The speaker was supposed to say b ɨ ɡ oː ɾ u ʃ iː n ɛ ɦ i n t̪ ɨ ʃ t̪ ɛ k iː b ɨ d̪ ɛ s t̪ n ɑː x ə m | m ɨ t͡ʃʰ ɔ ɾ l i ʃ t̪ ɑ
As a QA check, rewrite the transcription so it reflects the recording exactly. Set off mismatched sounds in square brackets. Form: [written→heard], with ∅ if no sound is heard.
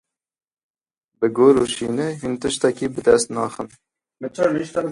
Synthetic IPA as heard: b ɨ ɡ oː ɾ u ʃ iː n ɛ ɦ i n t̪ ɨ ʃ t̪ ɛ k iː b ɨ d̪ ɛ s t̪ n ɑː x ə [m→n] | m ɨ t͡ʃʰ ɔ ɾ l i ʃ t̪ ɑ